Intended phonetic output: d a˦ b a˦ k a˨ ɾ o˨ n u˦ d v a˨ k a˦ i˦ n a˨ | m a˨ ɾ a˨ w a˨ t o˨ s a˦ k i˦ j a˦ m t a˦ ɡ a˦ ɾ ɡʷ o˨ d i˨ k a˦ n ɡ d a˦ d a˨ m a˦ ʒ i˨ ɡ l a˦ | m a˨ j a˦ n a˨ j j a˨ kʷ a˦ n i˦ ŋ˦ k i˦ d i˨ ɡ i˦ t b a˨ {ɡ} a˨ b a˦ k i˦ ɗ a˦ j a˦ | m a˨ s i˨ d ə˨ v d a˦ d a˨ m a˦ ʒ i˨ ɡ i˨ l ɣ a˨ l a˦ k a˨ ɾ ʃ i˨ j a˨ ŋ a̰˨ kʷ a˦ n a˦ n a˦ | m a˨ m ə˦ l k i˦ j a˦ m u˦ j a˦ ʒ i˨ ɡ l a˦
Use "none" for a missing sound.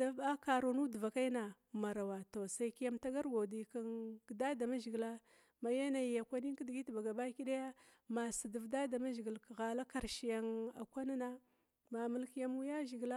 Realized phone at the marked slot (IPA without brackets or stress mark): ɡ